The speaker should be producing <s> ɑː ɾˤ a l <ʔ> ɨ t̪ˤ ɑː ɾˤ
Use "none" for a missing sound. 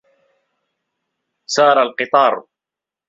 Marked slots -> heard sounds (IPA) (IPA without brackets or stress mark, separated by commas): s, q